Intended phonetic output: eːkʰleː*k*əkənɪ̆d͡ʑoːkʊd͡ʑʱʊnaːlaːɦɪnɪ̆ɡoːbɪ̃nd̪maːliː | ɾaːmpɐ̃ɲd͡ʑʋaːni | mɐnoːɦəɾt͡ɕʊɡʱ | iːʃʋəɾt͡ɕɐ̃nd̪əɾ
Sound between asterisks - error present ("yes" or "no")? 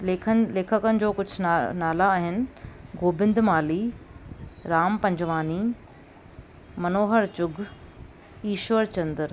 yes